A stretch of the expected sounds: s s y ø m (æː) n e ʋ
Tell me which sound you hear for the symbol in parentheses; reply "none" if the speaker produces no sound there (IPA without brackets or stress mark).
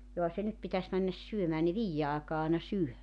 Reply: æː